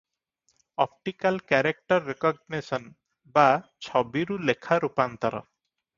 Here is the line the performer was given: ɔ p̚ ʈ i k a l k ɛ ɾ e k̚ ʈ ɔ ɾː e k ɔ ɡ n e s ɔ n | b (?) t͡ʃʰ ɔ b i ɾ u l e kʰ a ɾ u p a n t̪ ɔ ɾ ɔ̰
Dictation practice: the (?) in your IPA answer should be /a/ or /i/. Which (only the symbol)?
a